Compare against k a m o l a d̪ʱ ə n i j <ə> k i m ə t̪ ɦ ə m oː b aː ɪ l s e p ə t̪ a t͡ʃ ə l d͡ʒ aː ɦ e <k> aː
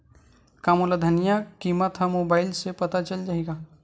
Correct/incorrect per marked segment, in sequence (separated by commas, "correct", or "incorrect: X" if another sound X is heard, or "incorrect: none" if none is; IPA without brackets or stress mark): incorrect: a, incorrect: ɡ